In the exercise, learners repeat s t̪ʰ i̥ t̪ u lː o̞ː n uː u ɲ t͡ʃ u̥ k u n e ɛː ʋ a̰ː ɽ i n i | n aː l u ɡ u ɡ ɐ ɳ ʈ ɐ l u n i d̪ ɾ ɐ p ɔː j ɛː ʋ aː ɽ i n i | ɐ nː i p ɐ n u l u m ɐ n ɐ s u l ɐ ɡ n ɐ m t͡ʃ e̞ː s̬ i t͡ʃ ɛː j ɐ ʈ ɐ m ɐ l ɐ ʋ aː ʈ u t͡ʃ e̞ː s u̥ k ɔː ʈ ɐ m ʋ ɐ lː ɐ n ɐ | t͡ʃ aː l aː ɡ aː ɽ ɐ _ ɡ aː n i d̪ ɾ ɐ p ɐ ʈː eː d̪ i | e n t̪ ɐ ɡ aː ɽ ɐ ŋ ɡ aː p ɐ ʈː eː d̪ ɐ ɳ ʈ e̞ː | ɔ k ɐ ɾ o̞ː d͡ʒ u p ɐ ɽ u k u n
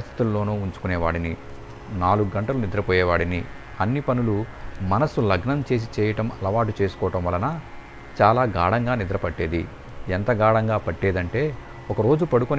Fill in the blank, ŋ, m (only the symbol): ŋ